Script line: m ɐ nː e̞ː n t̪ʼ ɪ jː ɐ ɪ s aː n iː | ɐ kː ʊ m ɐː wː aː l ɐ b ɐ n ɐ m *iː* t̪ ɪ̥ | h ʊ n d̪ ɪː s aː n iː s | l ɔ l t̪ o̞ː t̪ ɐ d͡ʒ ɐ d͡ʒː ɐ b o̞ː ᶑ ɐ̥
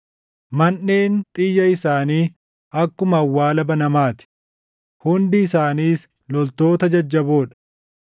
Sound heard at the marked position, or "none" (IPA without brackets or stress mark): aː